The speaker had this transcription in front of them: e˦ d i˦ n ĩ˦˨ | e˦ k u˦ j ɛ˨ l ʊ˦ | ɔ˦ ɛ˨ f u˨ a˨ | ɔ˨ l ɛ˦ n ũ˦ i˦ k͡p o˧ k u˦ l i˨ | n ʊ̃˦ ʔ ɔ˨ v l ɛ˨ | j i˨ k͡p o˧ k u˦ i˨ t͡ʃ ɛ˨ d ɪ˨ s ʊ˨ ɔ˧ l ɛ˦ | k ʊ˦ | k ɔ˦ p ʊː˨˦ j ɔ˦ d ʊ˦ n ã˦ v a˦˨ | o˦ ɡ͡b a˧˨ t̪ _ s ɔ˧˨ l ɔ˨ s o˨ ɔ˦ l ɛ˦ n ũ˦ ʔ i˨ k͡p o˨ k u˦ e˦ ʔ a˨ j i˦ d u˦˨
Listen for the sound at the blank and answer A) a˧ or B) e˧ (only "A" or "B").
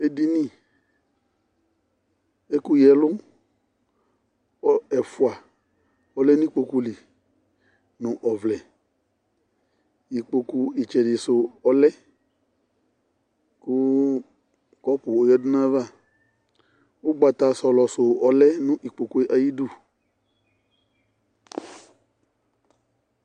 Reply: A